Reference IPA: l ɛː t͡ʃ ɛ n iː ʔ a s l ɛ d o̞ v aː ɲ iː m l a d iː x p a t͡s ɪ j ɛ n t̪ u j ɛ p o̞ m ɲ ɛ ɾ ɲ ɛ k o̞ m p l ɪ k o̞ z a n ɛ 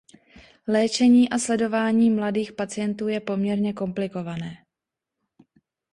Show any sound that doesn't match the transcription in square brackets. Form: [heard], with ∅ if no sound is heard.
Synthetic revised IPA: l ɛː t͡ʃ ɛ [ɲ] iː ʔ a s l ɛ d o̞ v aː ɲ iː m l a d iː x p a t͡s ɪ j ɛ n t̪ [uː] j ɛ p o̞ m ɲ ɛ ɾ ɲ ɛ k o̞ m p l ɪ k o̞ [v] a n [ɛː]

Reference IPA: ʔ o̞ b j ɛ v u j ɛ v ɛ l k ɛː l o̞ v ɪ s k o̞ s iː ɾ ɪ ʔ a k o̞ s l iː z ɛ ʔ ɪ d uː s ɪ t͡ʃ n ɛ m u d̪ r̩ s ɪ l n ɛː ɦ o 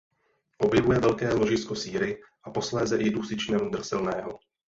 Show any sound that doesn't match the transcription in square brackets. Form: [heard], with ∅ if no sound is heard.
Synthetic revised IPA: ʔ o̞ b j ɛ v u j ɛ v ɛ l k ɛː l o̞ [ʒ] ɪ s k o̞ s iː ɾ ɪ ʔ a [p] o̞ s l [ɛː] z ɛ ʔ ɪ d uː s ɪ t͡ʃ n ɛ m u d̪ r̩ s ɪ l n ɛː ɦ o

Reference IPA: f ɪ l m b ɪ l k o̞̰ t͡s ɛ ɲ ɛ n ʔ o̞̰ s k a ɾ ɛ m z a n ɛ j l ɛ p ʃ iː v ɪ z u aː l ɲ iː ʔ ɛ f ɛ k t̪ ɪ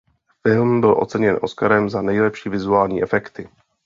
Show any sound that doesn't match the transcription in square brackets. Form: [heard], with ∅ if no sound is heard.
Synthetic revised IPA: f ɪ l m b ɪ l [ʔ] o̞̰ t͡s ɛ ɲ ɛ n ʔ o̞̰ s k a ɾ ɛ m z a n ɛ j l ɛ p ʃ iː v ɪ z u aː l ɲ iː ʔ ɛ f ɛ k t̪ ɪ

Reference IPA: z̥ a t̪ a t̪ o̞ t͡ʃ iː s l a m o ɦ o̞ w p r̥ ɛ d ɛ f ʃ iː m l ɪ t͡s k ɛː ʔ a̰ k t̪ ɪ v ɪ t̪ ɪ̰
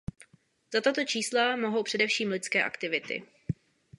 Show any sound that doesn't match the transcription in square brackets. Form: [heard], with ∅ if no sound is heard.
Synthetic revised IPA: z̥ a t̪ a t̪ o̞ t͡ʃ iː s l a m o ɦ o̞ w p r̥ ɛ d ɛ f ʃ iː m l ɪ t͡s k ɛː ʔ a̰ k t̪ ɪ v ɪ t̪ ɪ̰

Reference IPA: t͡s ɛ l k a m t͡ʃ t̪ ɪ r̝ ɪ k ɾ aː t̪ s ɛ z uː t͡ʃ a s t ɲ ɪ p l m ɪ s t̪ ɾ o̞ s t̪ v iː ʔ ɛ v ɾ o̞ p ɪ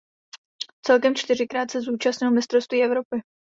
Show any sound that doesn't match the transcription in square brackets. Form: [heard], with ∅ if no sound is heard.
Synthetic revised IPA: t͡s ɛ l k [ɛ] m t͡ʃ t̪ ɪ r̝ ɪ k ɾ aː t̪ s ɛ z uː t͡ʃ a s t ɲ ɪ [∅] l m ɪ s t̪ ɾ o̞ s t̪ v iː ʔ ɛ v ɾ o̞ p ɪ

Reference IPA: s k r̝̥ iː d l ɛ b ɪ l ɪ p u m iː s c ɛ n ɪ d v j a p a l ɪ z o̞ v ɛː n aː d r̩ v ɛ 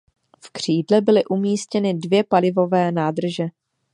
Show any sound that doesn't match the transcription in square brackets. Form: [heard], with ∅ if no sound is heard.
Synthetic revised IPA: [f] k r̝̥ iː d l ɛ b ɪ l ɪ [ʔ] u m iː s c ɛ n ɪ d v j [ɛ] p a l ɪ [v] o̞ v ɛː n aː d r̩ [ʒ] ɛ

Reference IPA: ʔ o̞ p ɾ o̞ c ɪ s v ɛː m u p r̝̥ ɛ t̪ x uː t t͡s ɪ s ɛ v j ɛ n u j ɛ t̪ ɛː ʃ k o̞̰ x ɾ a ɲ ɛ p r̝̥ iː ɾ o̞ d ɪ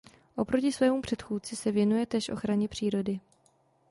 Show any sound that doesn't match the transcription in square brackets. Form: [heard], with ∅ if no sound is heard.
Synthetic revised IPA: ʔ o̞ p ɾ o̞ c ɪ s v ɛː m u p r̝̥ ɛ t̪ x uː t t͡s ɪ s ɛ v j ɛ n u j ɛ t̪ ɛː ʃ [ʔ] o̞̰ x ɾ a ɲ ɛ p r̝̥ iː ɾ o̞ d ɪ

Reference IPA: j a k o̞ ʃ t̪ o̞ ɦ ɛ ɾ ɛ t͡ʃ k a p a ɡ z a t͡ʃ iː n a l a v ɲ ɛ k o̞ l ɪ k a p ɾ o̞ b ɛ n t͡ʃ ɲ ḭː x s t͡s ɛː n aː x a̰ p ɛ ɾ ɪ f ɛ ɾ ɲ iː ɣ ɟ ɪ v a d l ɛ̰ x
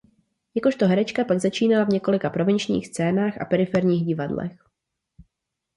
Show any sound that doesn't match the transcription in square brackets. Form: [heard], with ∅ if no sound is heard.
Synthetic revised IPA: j a k o̞ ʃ t̪ o̞ ɦ ɛ ɾ ɛ t͡ʃ k a p a ɡ z a t͡ʃ iː n a l a v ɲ ɛ k o̞ l ɪ k a p ɾ o̞ [v] ɛ n t͡ʃ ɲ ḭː x s t͡s ɛː n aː x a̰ p ɛ ɾ ɪ f ɛ ɾ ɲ iː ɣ ɟ ɪ v a d l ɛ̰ x

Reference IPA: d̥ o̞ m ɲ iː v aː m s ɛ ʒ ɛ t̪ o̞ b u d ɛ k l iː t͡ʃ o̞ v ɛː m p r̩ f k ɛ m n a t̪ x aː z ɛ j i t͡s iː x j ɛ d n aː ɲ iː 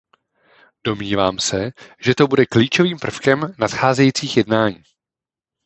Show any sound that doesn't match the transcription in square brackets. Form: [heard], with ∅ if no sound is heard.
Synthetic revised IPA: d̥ o̞ m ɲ iː v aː m s ɛ ʒ ɛ t̪ o̞ b u d ɛ k l iː t͡ʃ o̞ v [iː] m p r̩ f k ɛ m n a t̪ x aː z ɛ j i t͡s iː x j ɛ d n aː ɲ iː

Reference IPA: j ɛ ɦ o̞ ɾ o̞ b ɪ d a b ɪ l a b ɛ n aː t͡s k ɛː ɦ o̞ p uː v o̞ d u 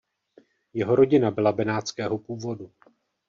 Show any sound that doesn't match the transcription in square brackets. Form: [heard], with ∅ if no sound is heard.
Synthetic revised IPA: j ɛ ɦ o̞ ɾ o̞ [ɟ] ɪ [n] a b ɪ l a b ɛ n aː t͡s k ɛː ɦ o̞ p uː v o̞ d u

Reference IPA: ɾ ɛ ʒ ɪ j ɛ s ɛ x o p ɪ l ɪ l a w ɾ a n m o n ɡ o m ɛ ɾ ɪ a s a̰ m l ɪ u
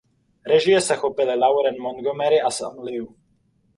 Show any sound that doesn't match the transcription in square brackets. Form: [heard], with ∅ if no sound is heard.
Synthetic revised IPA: ɾ ɛ ʒ ɪ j ɛ s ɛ x o p ɪ l ɪ l a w ɾ [ɛ] n m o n ɡ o m ɛ ɾ ɪ a s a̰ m l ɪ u

